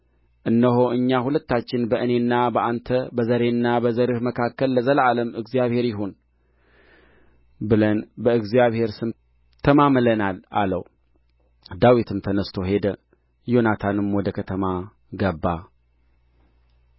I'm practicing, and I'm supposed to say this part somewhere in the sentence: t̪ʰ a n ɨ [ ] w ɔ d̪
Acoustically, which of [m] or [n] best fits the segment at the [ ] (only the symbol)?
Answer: m